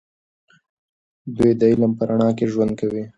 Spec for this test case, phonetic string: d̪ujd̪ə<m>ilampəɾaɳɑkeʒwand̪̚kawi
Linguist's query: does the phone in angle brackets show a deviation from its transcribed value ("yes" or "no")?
yes